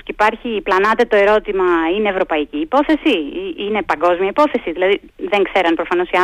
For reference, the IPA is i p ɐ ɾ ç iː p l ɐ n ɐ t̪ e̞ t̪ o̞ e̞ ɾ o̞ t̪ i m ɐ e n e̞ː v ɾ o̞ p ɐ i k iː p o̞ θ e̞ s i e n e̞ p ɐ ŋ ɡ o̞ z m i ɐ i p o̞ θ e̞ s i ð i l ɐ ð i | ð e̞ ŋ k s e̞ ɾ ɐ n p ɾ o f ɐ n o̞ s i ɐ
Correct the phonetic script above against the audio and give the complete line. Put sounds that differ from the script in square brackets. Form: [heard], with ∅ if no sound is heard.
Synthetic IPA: i p ɐ ɾ ç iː p l ɐ n ɐ t̪ e̞ t̪ o̞ e̞ ɾ o̞ t̪ i m ɐ [i] n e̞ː v ɾ o̞ p ɐ i [c] iː p o̞ θ e̞ s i [i] n e̞ p ɐ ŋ ɡ o̞ z m i ɐ i p o̞ θ e̞ s i ð i l ɐ ð i | ð e̞ ŋ k s e̞ ɾ ɐ n p ɾ o f ɐ n o̞ s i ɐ